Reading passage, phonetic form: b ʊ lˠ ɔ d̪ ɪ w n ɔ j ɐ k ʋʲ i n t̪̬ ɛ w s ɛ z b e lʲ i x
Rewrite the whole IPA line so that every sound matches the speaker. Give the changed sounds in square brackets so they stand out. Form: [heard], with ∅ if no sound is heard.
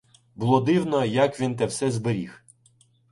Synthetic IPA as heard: b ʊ lˠ ɔ d̪ ɪ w n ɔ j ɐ k ʋʲ i n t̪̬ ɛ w s ɛ z b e [ɾʲ] i x